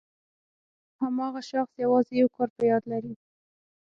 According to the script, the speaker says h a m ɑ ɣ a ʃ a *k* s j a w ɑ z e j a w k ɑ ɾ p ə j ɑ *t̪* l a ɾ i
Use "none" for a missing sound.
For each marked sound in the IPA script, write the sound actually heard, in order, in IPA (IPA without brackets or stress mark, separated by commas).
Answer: x, d̪